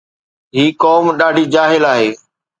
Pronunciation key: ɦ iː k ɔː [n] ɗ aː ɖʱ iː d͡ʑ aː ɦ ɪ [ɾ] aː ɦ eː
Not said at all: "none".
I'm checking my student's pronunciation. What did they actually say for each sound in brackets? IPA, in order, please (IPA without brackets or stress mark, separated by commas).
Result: m, l